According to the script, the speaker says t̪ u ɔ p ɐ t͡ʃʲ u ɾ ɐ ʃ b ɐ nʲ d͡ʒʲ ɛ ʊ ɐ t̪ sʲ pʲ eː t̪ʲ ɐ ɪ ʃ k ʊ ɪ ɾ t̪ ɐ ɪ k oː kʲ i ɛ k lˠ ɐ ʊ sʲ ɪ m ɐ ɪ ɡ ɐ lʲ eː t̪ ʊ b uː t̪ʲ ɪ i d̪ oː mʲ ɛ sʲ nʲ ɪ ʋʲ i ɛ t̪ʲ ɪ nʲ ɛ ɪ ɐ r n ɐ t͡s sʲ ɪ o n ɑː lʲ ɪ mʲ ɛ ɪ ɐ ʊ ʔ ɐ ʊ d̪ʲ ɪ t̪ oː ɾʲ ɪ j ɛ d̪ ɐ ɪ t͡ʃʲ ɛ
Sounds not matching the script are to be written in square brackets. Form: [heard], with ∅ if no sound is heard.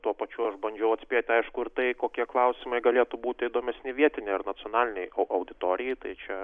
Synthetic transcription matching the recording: t̪ u ɔ p ɐ t͡ʃʲ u [∅] ɐ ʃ b ɐ nʲ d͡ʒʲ ɛ ʊ ɐ t̪ sʲ pʲ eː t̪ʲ ɐ ɪ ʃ k ʊ ɪ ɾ t̪ ɐ ɪ k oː kʲ i ɛ k lˠ ɐ ʊ sʲ ɪ m ɐ ɪ ɡ ɐ lʲ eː t̪ ʊ b uː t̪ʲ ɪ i d̪ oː mʲ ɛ sʲ nʲ ɪ ʋʲ i ɛ t̪ʲ ɪ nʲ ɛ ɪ ɐ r n ɐ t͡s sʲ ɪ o n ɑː lʲ ɪ [nʲ] ɛ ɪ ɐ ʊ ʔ ɐ ʊ d̪ʲ ɪ t̪ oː ɾʲ ɪ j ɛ [t̪] ɐ ɪ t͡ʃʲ ɛ